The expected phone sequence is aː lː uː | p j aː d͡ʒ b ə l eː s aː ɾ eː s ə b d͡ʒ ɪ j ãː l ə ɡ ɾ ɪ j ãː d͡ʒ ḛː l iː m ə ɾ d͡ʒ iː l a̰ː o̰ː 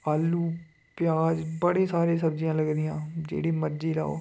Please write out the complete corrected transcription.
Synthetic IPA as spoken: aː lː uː | p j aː d͡ʒ b ə ɽ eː s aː ɾ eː s ə b d͡ʒ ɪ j ãː l ə ɡ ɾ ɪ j ãː d͡ʒ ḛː ɽ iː m ə ɾ d͡ʒ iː l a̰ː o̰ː